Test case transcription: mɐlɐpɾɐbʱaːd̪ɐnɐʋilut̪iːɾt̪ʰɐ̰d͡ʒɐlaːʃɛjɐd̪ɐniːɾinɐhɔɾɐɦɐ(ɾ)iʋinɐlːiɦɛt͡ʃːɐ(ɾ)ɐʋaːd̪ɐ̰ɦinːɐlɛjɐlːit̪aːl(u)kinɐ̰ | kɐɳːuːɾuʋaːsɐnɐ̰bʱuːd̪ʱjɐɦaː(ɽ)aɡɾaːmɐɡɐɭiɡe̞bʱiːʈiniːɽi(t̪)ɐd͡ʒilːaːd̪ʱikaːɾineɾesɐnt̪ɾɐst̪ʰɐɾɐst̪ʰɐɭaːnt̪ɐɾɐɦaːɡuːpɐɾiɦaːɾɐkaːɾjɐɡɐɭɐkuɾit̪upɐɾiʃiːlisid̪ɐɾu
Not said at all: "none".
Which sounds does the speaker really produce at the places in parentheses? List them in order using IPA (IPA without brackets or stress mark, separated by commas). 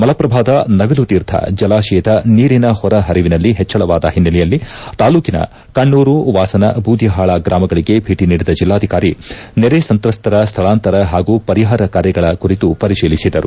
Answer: ɾ, ɭ, uː, ɭ, d̪